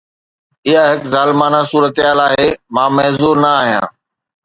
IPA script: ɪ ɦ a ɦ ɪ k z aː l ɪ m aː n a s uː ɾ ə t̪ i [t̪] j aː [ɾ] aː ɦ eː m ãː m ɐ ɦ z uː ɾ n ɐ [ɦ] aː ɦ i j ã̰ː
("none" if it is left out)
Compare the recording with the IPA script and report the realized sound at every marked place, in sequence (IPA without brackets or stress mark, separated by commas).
none, l, none